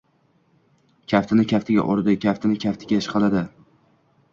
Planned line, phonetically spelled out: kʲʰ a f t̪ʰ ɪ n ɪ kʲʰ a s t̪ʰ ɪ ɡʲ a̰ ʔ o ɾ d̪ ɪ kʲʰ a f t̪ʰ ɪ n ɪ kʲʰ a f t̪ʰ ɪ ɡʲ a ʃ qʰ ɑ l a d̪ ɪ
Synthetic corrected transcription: kʲʰ a f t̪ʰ ɪ n ɪ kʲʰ a f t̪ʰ ɪ ɡʲ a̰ ʔ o ɾ d̪ ɪ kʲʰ a f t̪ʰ ɪ n ɪ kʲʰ a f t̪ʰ ɪ ɡʲ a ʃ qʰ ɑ l a d̪ ɪ